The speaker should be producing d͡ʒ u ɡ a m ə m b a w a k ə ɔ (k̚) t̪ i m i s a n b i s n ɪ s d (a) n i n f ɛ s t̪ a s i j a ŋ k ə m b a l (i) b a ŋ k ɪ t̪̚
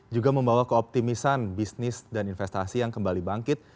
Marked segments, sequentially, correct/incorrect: incorrect: p̚, correct, correct

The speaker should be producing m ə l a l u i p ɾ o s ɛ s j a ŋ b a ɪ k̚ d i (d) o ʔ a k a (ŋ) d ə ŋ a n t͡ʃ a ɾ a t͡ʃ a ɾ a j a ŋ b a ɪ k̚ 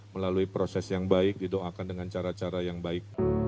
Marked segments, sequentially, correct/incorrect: correct, incorrect: n

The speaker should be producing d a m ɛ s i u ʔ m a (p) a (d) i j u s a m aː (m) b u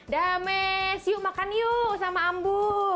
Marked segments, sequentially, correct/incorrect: incorrect: k, incorrect: n, correct

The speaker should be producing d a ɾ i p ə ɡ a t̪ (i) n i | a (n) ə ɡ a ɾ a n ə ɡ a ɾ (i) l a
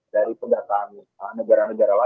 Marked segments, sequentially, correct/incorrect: incorrect: a, correct, incorrect: a

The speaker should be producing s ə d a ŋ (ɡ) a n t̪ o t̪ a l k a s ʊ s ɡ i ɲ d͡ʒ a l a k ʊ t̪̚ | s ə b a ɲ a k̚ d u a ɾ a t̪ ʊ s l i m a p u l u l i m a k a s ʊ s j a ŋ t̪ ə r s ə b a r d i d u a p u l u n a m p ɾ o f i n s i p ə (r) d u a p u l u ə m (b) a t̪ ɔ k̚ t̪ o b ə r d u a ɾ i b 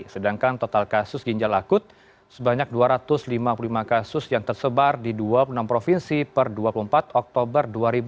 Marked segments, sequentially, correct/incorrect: incorrect: k, correct, incorrect: p

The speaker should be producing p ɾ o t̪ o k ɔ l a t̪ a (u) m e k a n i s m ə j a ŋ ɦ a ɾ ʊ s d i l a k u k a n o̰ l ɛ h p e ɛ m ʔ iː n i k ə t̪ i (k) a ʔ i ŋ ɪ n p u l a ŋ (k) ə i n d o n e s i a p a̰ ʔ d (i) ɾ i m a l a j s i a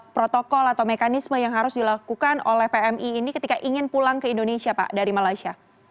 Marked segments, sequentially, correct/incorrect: incorrect: w, correct, correct, incorrect: a

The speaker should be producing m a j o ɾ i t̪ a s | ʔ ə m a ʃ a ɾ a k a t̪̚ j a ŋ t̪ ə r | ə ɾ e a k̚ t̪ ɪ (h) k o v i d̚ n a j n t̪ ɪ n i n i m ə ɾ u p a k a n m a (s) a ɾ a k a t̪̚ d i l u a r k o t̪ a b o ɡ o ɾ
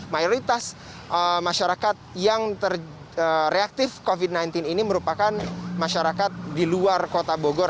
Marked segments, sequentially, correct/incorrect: incorrect: f, incorrect: ʃ

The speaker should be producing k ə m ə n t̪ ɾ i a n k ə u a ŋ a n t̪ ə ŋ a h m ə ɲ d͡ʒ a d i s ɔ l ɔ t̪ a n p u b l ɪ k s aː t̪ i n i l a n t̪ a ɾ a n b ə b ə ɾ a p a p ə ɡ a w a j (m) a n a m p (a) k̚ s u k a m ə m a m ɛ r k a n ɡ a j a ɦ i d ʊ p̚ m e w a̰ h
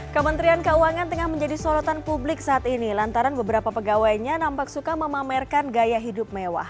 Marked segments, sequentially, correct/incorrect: incorrect: ɲ, correct

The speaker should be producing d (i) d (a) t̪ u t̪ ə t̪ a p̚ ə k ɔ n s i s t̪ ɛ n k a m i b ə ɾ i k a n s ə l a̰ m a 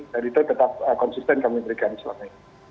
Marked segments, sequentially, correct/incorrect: incorrect: a, incorrect: i

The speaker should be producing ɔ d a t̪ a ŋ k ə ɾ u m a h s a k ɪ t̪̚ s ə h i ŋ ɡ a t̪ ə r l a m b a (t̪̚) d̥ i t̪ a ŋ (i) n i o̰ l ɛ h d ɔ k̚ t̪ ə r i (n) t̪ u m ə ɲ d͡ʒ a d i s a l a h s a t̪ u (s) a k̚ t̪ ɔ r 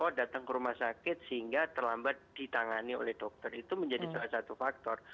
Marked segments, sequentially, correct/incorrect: correct, incorrect: a, incorrect: none, incorrect: f

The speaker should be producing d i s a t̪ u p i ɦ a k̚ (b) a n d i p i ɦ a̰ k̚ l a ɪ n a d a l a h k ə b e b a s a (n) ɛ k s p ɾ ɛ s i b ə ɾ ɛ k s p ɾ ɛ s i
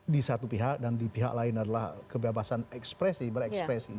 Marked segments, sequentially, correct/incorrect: incorrect: d, correct

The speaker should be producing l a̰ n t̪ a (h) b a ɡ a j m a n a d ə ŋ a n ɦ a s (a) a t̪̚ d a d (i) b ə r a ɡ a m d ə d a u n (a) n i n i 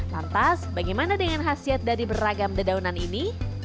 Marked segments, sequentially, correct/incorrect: incorrect: s, incorrect: i, correct, correct

